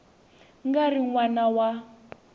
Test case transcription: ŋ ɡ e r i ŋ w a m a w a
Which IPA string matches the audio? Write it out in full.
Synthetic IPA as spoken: ŋ ɡ a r i ŋ w a n a w a